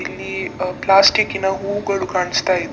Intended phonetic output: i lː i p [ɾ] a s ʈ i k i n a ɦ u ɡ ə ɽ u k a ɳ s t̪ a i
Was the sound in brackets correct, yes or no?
no